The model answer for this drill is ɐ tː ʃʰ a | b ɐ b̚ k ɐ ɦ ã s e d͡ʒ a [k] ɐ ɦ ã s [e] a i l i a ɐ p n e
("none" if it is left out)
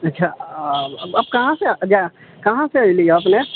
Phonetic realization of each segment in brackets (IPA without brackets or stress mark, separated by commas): k, e